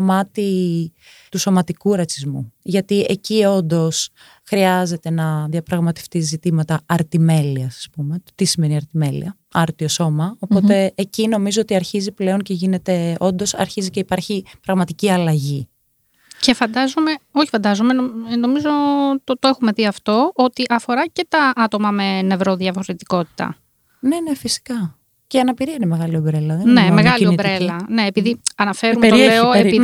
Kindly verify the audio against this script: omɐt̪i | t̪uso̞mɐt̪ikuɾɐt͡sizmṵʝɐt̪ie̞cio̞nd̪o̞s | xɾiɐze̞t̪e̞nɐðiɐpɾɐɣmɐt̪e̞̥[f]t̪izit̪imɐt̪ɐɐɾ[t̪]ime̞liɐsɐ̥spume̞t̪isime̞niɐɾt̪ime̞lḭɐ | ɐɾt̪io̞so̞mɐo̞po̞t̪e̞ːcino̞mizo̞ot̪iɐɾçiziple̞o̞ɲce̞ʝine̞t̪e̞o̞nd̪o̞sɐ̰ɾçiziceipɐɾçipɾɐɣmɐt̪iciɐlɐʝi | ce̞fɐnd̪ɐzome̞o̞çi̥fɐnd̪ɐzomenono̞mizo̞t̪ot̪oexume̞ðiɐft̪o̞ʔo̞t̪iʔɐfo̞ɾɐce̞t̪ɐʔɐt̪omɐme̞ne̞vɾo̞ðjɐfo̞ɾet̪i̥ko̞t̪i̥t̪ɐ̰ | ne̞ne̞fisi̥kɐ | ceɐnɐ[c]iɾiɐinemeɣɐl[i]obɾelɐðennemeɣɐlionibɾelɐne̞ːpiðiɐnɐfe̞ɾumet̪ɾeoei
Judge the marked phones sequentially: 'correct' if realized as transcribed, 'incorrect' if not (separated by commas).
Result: correct, correct, incorrect, correct